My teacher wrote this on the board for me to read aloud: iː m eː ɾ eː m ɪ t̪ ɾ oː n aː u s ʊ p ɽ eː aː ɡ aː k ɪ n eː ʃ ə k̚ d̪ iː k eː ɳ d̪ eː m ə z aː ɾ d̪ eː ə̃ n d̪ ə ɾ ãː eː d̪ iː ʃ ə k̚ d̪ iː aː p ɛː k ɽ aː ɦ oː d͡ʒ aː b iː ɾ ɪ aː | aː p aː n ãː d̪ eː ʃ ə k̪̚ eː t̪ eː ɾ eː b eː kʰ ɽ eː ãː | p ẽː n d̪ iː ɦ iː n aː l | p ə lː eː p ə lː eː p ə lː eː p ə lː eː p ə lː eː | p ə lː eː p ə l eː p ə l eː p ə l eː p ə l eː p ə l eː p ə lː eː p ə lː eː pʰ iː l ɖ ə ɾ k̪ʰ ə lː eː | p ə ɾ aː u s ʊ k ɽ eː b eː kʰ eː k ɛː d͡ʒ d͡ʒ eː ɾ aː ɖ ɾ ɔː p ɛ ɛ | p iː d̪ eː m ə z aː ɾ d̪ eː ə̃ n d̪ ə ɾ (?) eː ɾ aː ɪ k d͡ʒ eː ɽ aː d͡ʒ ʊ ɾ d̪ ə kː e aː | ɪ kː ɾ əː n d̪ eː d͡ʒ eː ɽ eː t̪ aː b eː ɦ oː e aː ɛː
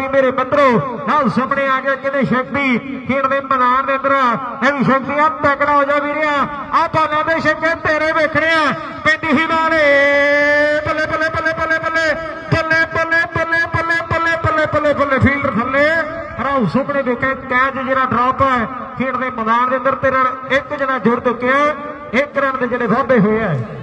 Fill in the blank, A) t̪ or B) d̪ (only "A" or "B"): A